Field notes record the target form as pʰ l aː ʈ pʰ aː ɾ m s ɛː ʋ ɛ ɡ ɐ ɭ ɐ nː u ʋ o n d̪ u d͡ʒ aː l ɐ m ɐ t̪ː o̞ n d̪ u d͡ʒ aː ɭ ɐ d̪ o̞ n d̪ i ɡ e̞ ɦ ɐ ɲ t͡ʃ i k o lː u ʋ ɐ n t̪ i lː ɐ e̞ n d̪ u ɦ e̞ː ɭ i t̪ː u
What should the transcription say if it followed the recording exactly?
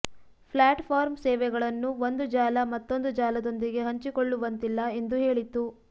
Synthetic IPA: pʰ l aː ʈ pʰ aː ɾ m s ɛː ʋ ɛ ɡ ɐ ɭ ɐ nː u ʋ o n d̪ u d͡ʒ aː l ɐ m ɐ t̪ː o̞ n d̪ u d͡ʒ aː l ɐ d̪ o̞ n d̪ i ɡ e̞ ɦ ɐ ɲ t͡ʃ i k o ɭː u ʋ ɐ n t̪ i lː ɐ e̞ n d̪ u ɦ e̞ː ɭ i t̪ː u